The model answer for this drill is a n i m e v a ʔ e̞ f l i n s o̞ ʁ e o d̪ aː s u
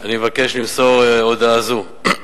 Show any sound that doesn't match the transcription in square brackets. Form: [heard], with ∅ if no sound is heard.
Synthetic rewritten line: a n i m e v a [k] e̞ [ʃ] l i [m] s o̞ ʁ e o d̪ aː [z] u